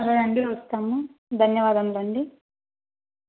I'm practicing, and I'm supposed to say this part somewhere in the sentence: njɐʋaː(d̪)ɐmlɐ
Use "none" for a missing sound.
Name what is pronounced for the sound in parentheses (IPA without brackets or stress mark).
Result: d̪